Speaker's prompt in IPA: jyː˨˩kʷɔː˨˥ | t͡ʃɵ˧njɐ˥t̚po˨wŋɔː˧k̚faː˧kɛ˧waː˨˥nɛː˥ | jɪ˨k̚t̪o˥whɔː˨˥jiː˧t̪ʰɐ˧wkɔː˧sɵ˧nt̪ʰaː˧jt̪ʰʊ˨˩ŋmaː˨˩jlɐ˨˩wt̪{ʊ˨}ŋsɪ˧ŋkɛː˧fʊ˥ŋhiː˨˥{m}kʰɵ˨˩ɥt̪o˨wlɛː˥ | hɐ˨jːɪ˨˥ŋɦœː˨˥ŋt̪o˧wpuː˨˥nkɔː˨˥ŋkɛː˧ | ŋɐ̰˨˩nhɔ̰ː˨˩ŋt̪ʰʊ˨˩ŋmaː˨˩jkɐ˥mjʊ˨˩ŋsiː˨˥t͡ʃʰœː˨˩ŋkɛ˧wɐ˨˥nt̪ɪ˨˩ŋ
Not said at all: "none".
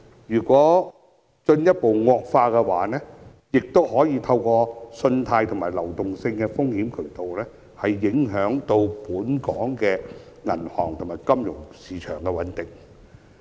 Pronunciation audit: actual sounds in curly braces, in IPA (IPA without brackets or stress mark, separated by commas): ʊ˨, m